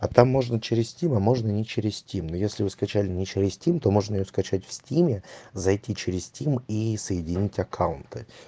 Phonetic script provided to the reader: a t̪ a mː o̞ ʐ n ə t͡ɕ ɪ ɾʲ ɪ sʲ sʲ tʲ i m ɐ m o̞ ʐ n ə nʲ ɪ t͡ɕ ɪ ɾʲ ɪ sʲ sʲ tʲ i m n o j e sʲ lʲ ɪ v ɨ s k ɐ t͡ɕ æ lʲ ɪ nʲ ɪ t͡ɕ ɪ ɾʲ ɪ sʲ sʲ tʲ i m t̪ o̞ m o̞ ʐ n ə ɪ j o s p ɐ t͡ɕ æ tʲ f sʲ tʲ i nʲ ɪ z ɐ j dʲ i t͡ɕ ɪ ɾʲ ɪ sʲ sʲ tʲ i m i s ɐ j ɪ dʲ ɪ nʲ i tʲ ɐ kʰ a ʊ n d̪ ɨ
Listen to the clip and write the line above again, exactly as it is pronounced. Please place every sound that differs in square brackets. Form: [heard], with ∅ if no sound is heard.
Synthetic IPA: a t̪ a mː o̞ ʐ n ə t͡ɕ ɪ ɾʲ ɪ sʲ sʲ tʲ i m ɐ m o̞ ʐ n ə nʲ ɪ t͡ɕ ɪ ɾʲ ɪ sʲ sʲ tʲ i m n o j e sʲ lʲ ɪ v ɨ s k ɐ t͡ɕ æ lʲ ɪ nʲ ɪ t͡ɕ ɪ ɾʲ ɪ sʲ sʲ tʲ i m t̪ o̞ m o̞ ʐ n ə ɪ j o s [k] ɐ t͡ɕ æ tʲ f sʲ tʲ i [mʲ] ɪ z ɐ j [tʲ] i t͡ɕ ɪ ɾʲ ɪ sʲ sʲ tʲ i m i s [ə] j ɪ dʲ ɪ nʲ i tʲ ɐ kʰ a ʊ n [t̪] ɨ